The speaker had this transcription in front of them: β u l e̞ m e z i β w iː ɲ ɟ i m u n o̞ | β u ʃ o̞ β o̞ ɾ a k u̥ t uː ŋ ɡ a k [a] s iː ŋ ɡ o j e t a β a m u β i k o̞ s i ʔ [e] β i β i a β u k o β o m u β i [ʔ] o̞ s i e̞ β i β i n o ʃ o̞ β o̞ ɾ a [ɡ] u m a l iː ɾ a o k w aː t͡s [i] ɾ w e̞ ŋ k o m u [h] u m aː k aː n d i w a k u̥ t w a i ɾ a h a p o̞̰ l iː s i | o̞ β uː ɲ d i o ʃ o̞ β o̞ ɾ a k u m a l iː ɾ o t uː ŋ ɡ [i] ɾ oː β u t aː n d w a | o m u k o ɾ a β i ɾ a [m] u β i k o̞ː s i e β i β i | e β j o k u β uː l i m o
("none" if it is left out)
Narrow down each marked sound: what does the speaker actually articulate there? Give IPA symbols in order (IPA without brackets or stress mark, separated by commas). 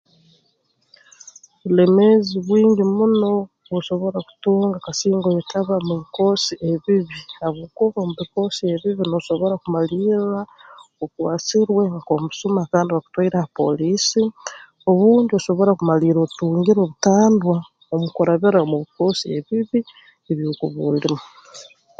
a, e, k, k, i, s, i, m